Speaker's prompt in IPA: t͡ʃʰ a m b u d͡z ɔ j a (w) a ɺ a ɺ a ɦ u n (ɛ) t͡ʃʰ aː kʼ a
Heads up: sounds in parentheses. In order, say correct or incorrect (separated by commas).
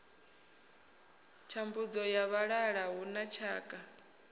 incorrect, incorrect